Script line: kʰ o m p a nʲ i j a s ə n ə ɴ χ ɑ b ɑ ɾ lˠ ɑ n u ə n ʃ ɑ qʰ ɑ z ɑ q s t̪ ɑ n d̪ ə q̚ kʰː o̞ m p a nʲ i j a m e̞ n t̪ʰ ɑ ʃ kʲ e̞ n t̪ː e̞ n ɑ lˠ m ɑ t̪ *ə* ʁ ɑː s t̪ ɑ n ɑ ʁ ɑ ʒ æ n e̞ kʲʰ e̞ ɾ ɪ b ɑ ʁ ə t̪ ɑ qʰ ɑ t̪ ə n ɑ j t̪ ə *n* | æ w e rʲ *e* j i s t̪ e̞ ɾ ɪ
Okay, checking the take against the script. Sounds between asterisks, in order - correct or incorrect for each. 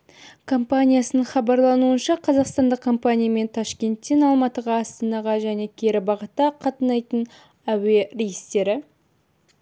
correct, correct, correct

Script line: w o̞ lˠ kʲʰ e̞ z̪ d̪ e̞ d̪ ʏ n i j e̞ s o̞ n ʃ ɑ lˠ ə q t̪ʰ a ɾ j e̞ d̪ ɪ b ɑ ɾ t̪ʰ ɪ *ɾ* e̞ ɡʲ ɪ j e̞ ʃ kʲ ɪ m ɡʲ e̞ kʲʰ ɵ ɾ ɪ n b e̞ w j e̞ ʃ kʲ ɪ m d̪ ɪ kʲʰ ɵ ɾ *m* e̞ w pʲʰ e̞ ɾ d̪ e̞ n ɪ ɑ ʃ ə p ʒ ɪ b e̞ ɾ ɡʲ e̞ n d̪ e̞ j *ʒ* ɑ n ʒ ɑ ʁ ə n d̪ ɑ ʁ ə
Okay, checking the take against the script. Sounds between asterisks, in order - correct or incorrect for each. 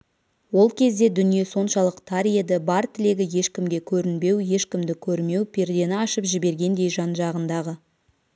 incorrect: l, correct, correct

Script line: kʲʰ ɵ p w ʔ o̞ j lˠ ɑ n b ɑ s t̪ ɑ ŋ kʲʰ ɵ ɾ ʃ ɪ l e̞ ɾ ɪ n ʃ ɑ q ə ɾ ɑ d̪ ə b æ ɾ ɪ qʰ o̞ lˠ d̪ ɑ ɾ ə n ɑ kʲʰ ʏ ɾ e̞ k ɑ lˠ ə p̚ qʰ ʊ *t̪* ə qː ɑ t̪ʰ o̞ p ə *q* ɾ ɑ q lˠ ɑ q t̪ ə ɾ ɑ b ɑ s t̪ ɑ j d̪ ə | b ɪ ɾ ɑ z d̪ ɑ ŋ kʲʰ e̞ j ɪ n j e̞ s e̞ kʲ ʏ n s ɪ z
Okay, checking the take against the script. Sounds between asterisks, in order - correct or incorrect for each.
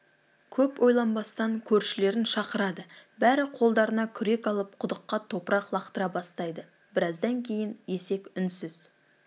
incorrect: d̪, incorrect: none

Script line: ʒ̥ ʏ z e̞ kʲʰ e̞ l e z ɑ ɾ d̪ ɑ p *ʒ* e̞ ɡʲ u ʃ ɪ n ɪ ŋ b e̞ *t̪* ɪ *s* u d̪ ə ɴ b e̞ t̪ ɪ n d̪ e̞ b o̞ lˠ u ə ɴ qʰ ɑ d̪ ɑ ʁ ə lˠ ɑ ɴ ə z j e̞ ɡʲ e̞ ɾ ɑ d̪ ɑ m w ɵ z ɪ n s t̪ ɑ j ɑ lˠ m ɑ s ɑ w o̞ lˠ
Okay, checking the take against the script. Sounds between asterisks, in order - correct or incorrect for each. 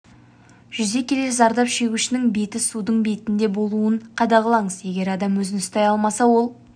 incorrect: ʃ, correct, correct

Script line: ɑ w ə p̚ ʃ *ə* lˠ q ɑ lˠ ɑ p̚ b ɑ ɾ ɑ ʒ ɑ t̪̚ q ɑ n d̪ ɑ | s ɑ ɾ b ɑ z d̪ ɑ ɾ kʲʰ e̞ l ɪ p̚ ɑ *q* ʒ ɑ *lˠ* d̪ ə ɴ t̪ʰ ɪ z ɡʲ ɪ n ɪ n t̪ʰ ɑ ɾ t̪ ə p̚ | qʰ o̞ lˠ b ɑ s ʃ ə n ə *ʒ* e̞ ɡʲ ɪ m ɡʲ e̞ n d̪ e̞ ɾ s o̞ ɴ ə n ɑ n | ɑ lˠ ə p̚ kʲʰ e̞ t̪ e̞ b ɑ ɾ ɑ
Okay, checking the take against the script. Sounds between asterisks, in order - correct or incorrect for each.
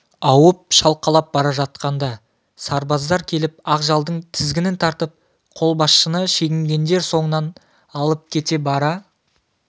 incorrect: ɑ, correct, correct, incorrect: ʃ

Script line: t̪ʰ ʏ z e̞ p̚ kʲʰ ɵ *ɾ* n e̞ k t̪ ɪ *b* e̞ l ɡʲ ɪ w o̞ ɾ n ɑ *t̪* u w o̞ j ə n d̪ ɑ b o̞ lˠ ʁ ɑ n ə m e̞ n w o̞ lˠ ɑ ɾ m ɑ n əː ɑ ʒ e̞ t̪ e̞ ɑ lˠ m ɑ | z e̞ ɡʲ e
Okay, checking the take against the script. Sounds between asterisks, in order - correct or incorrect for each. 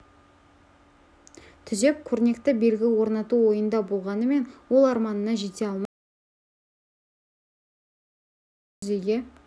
correct, correct, correct

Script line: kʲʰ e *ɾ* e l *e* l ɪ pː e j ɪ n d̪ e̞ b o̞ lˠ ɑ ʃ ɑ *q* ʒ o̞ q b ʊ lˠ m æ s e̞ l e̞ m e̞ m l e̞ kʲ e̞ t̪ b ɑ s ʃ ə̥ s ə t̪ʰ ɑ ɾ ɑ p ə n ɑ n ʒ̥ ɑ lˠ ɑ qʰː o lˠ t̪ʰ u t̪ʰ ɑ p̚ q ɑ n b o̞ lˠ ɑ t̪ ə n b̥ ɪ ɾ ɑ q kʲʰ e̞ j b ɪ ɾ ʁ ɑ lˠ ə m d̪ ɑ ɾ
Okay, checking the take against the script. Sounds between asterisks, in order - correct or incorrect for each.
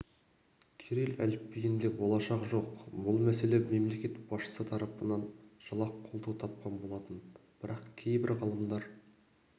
correct, incorrect: æ, correct

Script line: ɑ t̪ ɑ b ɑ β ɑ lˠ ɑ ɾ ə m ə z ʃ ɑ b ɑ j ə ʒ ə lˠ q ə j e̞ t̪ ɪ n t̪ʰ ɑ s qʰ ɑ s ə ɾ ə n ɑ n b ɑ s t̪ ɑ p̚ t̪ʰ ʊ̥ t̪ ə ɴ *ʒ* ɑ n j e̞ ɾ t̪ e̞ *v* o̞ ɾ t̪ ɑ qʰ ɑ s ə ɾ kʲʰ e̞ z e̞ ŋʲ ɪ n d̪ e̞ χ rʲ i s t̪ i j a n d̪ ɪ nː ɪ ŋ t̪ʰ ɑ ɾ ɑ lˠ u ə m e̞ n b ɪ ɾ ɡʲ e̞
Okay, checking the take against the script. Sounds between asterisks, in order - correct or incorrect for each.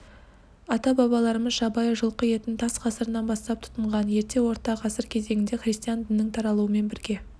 incorrect: ʁ, incorrect: w

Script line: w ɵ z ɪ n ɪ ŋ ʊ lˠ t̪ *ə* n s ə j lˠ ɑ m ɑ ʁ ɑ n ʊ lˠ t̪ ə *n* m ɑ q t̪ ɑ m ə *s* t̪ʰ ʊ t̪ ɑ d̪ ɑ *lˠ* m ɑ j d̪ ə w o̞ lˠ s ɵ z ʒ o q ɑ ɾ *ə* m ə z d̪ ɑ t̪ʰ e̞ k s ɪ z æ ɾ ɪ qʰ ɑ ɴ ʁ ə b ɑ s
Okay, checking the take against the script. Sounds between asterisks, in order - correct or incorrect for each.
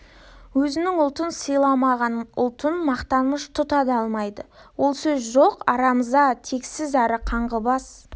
correct, correct, incorrect: ʃ, correct, incorrect: ɑ

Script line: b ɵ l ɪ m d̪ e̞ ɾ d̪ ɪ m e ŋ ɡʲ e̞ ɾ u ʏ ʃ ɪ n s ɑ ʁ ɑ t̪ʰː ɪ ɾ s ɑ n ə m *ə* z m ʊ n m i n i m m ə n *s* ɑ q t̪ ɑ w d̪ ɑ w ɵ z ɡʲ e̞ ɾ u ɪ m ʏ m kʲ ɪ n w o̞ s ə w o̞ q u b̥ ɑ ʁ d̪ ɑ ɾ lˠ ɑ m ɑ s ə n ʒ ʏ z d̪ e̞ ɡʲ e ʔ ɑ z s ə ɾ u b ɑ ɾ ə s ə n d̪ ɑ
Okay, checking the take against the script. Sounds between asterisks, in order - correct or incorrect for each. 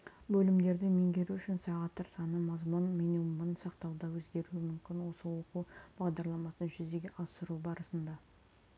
incorrect: ɑ, correct

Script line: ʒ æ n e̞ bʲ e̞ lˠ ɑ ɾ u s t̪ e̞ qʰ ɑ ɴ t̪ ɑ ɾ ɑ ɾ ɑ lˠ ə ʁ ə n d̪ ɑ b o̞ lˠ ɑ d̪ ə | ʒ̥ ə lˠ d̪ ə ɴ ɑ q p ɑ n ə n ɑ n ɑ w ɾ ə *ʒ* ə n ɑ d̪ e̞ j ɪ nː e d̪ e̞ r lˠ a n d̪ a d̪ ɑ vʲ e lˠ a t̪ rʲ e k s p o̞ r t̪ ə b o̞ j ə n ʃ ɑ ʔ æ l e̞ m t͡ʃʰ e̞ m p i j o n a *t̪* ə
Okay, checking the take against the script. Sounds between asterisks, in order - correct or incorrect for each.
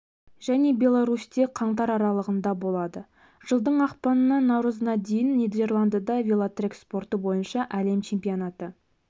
incorrect: z, correct

